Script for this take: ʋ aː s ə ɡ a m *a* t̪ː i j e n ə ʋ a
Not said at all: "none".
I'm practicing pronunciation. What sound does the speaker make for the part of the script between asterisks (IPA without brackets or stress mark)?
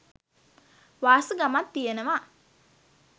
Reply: a